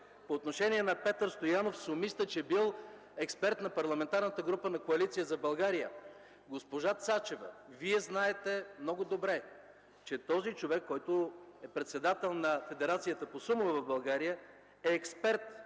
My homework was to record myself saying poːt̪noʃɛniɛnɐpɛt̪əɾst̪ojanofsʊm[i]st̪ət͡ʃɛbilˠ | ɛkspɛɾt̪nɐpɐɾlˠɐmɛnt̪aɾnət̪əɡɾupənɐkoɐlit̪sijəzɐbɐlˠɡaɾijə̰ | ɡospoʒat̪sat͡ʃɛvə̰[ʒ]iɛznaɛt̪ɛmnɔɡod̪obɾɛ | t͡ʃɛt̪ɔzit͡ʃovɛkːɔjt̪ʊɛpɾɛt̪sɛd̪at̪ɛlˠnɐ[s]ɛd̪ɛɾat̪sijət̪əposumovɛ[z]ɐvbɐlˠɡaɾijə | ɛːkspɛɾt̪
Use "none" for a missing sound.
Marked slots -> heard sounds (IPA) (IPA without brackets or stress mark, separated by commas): i, v, f, v